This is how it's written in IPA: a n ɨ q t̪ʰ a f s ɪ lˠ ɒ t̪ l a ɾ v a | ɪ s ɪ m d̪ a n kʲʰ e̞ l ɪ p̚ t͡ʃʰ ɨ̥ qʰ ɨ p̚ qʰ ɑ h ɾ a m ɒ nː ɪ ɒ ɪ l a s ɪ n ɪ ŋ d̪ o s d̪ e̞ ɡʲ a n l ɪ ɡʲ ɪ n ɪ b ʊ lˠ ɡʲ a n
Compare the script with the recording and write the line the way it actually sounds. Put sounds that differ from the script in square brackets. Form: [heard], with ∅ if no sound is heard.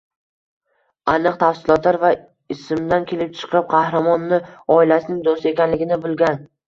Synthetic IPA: a n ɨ q t̪ʰ a f s ɪ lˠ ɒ t̪ l a ɾ v a | ɪ s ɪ m d̪ a n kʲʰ e̞ l ɪ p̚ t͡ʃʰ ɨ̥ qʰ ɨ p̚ qʰ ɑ h ɾ a m ɒ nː ɪ ɒ ɪ l a s ɪ n ɪ ŋ d̪ o s [t̪] e̞ [kʲ] a n l ɪ ɡʲ ɪ n ɪ b ʊ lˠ ɡʲ a n